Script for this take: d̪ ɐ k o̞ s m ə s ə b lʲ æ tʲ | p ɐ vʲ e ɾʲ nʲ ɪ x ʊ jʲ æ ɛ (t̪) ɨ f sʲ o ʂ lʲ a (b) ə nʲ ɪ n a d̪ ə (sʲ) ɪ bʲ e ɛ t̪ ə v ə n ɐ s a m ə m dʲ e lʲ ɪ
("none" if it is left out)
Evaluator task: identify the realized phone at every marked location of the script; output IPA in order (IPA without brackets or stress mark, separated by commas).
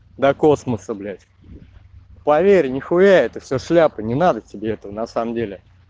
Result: t̪, p, tʲ